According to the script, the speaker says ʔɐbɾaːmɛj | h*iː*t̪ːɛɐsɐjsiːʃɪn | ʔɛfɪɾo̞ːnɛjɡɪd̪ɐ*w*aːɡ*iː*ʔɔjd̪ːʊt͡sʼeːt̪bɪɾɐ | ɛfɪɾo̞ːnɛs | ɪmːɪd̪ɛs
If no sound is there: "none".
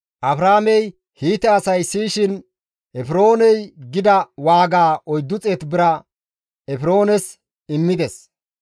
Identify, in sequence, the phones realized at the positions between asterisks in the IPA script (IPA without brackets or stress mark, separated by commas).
iː, w, aː